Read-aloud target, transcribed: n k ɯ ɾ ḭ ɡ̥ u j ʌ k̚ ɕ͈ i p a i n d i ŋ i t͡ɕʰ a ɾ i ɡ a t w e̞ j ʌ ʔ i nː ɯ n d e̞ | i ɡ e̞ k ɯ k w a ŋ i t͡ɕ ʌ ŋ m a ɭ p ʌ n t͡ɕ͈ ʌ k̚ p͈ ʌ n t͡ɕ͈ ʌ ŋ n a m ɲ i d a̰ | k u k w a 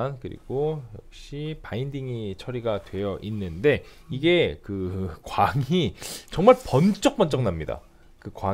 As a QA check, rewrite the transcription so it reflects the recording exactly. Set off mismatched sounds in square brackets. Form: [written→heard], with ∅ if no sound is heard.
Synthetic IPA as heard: n k ɯ ɾ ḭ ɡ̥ [u→o] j ʌ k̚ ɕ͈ i p a i n d i ŋ i t͡ɕʰ [a→ʌ] ɾ i ɡ a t w e̞ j ʌ ʔ i nː ɯ n d e̞ | i ɡ e̞ k ɯ k w a ŋ i t͡ɕ ʌ ŋ m a ɭ p ʌ n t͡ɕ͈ ʌ k̚ p͈ ʌ n t͡ɕ͈ ʌ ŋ n a m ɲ i d a̰ | k [u→ɯ] k w a